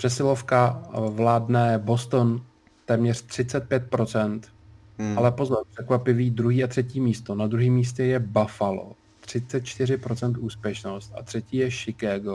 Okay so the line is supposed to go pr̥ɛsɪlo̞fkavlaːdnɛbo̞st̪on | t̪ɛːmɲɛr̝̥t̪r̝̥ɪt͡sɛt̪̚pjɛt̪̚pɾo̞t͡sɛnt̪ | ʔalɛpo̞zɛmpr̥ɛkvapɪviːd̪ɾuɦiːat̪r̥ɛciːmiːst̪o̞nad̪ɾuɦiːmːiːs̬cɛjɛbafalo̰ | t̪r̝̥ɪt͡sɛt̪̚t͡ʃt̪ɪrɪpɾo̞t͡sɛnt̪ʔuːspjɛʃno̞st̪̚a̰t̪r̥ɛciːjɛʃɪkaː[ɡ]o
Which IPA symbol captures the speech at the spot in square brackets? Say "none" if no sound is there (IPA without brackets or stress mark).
ɡ